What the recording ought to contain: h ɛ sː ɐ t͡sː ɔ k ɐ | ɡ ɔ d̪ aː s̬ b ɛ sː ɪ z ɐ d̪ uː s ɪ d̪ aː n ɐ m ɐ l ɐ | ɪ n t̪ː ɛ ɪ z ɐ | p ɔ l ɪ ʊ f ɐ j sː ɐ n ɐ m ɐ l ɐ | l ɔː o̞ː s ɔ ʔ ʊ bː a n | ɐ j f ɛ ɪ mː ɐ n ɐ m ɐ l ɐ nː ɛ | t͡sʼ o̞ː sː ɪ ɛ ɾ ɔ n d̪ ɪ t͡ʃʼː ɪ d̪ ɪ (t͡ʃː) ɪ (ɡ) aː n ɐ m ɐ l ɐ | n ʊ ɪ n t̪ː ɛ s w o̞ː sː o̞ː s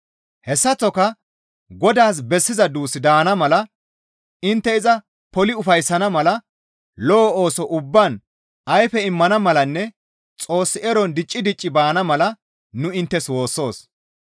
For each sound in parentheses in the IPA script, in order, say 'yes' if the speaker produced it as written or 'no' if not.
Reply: no, no

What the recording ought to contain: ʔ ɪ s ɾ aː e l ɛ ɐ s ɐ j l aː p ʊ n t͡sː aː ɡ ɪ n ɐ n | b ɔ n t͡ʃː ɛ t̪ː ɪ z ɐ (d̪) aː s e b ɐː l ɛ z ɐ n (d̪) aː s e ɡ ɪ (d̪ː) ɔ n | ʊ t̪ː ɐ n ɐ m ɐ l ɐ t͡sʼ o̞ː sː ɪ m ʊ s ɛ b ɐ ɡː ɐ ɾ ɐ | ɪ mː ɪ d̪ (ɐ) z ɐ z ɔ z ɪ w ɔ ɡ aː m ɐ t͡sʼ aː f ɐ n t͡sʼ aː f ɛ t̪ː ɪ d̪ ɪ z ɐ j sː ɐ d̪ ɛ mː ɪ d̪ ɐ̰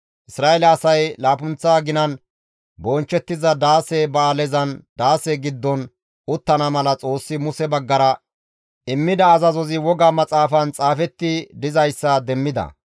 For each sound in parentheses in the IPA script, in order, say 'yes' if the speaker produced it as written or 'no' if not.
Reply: yes, yes, yes, no

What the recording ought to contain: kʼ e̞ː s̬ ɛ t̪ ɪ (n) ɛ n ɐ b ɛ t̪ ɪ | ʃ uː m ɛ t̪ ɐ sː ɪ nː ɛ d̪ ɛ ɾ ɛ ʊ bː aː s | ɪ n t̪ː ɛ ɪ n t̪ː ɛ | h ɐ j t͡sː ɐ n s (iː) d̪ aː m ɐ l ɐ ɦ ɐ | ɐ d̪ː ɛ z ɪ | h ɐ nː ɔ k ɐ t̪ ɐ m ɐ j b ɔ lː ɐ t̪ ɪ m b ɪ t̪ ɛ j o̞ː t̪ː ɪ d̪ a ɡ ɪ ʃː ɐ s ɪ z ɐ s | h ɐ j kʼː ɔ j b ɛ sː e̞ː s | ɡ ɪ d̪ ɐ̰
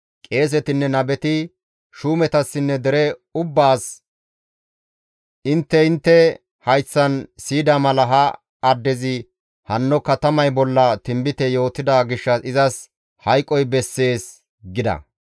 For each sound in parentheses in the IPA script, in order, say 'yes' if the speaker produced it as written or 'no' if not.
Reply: no, yes

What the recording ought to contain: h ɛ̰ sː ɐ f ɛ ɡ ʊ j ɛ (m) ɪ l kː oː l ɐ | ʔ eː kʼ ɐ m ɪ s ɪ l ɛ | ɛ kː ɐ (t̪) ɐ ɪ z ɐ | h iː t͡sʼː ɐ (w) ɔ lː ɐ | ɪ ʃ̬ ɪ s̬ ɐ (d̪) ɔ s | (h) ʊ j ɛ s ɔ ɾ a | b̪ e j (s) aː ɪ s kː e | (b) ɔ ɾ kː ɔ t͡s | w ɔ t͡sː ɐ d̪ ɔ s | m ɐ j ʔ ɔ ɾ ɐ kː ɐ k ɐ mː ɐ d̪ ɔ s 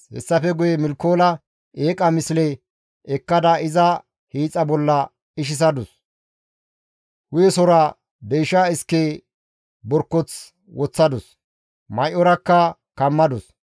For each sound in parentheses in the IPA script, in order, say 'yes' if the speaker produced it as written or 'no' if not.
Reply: yes, no, no, yes, yes, no, yes

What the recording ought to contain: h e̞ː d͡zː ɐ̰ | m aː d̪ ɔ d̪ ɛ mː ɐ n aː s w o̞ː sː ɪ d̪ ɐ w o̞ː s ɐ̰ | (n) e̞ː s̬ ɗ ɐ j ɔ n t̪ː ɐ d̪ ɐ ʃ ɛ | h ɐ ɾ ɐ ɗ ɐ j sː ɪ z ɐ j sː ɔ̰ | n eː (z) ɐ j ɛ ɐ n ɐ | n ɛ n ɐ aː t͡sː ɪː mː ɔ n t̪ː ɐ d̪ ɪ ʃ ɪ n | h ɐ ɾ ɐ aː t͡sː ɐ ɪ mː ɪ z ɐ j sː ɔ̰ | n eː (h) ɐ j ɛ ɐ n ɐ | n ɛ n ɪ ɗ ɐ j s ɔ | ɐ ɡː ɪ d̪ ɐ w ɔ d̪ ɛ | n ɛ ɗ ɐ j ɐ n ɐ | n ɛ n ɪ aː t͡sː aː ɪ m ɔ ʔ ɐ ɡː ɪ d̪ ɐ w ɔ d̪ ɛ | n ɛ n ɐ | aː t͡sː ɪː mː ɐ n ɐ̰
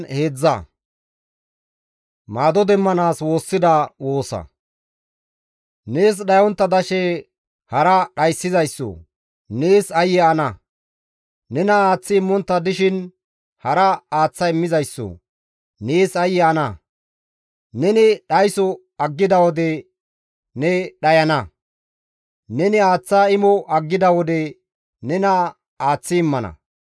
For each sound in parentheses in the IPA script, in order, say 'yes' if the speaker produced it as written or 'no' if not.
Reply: yes, no, no

